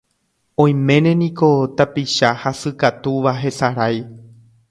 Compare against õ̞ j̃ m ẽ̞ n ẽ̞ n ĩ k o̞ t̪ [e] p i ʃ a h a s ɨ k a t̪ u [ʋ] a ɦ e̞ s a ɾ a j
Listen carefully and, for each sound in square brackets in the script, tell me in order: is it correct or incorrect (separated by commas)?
incorrect, correct